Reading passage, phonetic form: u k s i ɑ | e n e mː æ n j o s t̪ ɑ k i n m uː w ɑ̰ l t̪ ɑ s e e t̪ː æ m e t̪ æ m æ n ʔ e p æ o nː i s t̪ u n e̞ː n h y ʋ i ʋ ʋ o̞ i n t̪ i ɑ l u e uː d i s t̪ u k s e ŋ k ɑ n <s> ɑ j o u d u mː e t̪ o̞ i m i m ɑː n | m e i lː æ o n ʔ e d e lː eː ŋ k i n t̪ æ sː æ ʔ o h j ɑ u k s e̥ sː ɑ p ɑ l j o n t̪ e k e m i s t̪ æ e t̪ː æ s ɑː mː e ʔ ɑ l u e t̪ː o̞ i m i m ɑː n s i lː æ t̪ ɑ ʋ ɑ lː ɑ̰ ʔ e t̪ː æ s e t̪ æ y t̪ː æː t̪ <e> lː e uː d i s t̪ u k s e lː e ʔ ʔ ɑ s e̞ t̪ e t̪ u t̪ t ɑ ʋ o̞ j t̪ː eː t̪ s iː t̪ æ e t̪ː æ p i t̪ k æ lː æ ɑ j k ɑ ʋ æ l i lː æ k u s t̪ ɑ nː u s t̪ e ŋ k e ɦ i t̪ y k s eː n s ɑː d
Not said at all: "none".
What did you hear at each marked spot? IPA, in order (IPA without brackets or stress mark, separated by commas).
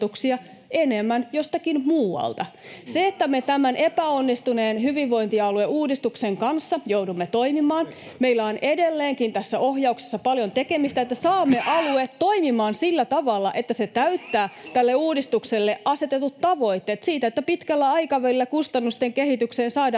sː, æ